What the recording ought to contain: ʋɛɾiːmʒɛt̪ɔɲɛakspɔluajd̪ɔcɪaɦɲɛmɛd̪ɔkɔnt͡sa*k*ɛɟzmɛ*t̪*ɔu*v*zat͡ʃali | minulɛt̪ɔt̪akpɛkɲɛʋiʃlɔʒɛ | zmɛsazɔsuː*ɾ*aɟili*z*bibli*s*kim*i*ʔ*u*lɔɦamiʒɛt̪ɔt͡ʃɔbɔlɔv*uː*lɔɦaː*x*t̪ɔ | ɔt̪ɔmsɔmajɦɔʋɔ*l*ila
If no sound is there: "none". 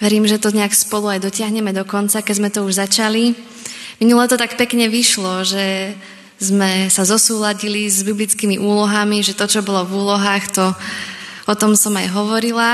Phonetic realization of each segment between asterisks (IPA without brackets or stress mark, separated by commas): k, t̪, ʒ, l, z, t͡s, i, uː, uː, x, ɾ